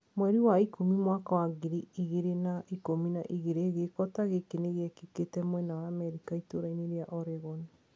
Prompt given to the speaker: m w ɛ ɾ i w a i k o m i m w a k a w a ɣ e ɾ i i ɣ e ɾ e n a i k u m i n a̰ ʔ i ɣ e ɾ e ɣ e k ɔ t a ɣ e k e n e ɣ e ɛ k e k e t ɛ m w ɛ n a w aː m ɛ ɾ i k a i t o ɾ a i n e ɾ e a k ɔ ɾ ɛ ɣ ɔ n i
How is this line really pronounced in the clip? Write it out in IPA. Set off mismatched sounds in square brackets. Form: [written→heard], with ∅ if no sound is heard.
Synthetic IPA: m w ɛ ɾ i w a i k o m i m w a k a w a ɣ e ɾ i i ɣ e ɾ e n a i k [u→o] m i n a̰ ʔ i ɣ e ɾ e ɣ e k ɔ t a ɣ e k e n e ɣ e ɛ k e k e t ɛ m w ɛ n a w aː m ɛ ɾ i k a i t o ɾ a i n e ɾ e a [k→ʔ] ɔ ɾ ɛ ɣ ɔ n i